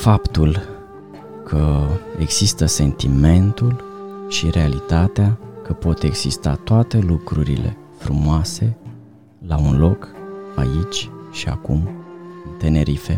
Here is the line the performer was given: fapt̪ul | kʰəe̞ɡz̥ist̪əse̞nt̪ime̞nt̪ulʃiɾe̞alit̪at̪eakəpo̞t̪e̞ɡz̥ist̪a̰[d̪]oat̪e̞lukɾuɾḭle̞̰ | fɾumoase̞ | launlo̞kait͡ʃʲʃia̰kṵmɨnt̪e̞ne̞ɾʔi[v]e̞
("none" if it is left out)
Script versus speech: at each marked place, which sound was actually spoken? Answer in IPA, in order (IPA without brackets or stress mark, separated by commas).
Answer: t̪, f